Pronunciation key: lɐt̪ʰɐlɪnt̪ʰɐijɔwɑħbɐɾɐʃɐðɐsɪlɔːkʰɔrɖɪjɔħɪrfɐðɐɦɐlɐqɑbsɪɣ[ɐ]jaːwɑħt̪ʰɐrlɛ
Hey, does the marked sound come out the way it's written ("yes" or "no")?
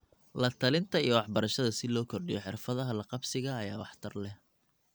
no